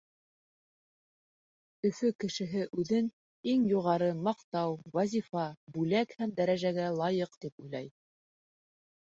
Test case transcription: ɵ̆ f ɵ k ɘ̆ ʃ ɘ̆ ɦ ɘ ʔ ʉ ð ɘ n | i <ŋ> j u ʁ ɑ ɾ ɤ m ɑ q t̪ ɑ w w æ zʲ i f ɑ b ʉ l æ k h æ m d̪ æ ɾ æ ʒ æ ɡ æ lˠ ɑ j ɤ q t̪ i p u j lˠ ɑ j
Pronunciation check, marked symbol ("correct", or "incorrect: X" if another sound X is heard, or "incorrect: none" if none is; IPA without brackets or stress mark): correct